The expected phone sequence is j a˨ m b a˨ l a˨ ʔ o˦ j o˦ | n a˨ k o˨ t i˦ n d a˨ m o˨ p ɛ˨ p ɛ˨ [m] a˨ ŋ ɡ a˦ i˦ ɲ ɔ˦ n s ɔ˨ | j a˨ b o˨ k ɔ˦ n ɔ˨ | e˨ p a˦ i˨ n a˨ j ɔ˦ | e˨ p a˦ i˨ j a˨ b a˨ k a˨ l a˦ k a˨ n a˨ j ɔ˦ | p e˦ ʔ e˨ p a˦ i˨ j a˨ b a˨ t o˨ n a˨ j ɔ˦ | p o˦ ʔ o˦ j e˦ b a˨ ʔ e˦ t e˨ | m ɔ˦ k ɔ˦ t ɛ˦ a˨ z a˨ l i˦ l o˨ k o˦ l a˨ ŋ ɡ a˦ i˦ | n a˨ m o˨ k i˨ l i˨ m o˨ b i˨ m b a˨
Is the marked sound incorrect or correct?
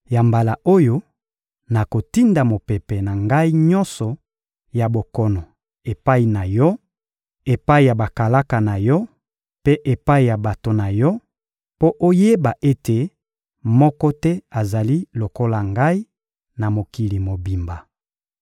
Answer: incorrect